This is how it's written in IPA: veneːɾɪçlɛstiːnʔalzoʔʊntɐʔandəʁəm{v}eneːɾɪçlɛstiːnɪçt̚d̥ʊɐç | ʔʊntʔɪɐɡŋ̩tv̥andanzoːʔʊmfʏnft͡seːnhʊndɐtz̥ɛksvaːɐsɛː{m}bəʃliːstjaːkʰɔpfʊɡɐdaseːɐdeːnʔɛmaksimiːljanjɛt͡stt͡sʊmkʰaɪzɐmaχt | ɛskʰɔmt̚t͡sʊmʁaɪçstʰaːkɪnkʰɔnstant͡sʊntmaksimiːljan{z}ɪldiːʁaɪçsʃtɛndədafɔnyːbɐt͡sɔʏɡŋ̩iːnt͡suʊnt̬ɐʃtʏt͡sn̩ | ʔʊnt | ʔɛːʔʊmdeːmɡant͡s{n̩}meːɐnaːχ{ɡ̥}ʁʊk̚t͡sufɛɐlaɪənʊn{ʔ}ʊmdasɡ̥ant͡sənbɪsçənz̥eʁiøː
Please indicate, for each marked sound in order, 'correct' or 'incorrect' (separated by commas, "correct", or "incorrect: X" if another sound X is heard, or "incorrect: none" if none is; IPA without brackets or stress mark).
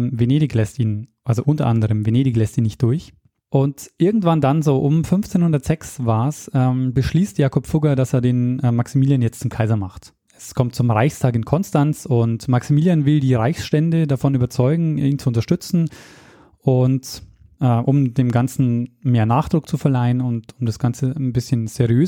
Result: correct, correct, incorrect: v, correct, incorrect: d̥, incorrect: t